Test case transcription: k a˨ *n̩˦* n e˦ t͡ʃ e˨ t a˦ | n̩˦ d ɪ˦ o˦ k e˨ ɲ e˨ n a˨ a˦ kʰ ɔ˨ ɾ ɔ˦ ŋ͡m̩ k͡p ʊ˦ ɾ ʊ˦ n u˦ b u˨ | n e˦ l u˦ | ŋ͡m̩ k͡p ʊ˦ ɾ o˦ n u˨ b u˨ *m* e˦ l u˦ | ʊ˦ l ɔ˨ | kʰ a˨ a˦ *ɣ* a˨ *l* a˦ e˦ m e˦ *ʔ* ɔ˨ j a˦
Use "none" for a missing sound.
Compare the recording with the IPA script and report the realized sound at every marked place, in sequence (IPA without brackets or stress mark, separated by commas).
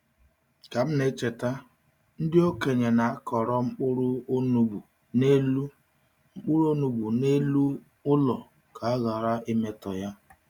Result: m̩˦, n, ɣ, ɾ, t